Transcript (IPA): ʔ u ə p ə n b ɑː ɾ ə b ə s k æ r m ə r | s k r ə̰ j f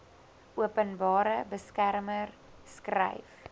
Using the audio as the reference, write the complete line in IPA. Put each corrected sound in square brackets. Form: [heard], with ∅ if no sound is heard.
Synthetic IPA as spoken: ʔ u ə p ə n b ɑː ɾ ə b ə s k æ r m ə r | s k r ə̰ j f